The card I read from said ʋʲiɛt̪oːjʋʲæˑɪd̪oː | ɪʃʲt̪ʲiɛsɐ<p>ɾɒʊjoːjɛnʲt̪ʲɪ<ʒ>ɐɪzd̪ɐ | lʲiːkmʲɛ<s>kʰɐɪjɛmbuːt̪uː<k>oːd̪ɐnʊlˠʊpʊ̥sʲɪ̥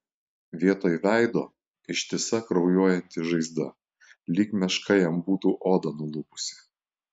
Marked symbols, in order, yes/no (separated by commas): no, yes, no, no